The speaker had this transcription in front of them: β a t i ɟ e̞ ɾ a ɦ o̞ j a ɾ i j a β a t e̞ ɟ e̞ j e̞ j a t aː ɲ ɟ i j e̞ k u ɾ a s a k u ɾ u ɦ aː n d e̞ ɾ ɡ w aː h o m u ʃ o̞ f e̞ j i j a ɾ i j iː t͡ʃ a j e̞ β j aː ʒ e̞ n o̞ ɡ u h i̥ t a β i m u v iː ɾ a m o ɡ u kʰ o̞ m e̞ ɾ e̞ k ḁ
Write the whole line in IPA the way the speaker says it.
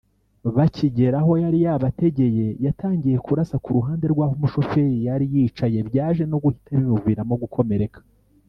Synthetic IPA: β a c i ɟ e̞ ɾ a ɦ o̞ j a ɾ i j a β a t e̞ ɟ e̞ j e̞ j a t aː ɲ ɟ i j e̞ k u ɾ a s a k u ɾ u ɦ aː n d e̞ ɾ ɡ w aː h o m u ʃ o̞ f e̞ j i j a ɾ i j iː t͡ʃ a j e̞ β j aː ʒ e̞ n o̞ ɡ u h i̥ t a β i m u v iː ɾ a m o ɡ u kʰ o̞ m e̞ ɾ e̞ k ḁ